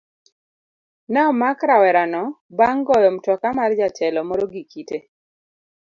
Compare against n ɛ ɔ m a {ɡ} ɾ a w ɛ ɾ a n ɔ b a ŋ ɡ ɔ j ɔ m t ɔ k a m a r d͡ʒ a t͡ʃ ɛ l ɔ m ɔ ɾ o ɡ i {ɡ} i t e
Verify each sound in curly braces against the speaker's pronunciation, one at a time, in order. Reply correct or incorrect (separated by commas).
incorrect, incorrect